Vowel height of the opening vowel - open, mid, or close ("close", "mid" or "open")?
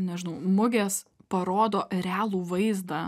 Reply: mid